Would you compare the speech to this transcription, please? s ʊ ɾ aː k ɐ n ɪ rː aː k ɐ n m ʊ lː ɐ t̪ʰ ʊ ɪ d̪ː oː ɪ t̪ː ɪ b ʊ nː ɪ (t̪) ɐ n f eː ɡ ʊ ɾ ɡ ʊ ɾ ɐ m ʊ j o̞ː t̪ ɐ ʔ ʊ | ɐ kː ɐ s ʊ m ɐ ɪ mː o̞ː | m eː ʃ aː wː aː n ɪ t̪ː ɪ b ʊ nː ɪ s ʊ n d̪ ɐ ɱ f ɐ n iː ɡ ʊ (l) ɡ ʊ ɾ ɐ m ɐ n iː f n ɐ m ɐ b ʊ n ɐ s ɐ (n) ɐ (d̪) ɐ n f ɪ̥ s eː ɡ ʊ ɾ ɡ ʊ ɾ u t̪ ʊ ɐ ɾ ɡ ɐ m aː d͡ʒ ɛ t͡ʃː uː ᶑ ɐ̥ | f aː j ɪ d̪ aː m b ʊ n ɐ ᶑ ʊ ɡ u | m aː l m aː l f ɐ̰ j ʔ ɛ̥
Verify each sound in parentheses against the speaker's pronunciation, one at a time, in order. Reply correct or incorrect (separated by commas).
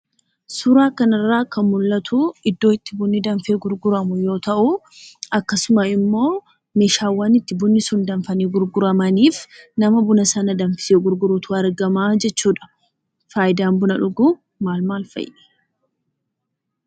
incorrect, incorrect, correct, correct